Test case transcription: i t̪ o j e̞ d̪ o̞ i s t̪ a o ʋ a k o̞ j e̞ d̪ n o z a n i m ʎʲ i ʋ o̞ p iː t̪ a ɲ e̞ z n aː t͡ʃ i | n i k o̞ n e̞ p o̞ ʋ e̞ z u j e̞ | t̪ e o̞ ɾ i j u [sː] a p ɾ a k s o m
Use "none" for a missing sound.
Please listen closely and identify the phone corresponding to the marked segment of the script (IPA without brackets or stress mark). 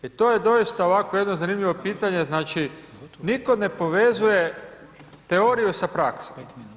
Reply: s